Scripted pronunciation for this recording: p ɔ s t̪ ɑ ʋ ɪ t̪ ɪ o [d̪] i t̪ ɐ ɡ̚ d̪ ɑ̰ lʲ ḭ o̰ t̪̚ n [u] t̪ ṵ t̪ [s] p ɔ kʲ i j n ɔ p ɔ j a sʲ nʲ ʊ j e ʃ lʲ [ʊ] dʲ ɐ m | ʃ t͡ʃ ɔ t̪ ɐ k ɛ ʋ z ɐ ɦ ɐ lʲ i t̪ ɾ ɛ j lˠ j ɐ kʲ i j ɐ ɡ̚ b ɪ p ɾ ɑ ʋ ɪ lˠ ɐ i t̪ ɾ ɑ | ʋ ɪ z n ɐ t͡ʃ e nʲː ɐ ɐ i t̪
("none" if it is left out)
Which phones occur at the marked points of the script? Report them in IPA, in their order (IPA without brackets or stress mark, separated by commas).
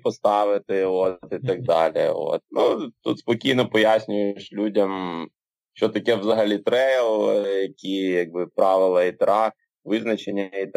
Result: t̪, u, s, u